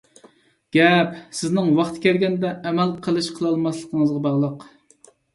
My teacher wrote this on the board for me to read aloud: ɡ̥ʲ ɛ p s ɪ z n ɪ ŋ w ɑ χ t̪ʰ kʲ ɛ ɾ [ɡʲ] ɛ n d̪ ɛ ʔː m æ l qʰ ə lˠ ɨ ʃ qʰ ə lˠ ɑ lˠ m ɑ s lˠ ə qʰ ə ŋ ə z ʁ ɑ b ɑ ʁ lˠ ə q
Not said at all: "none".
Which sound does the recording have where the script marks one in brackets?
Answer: ɡʲ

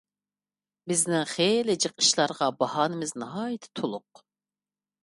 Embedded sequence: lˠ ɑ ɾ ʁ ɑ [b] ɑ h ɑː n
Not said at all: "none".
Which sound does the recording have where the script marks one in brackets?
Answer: b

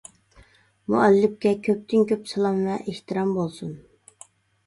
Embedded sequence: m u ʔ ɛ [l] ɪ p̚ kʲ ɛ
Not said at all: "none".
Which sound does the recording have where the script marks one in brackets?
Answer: lː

